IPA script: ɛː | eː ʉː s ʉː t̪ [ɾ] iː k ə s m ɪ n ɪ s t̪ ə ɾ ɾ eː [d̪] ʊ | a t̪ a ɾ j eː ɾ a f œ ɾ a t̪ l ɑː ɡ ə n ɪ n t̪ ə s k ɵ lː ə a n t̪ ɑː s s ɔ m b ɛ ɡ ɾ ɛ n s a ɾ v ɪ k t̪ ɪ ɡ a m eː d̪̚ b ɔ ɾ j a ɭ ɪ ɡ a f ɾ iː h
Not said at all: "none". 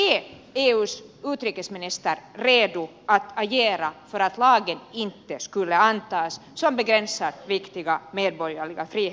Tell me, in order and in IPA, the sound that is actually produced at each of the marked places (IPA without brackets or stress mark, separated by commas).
ɾ, d̪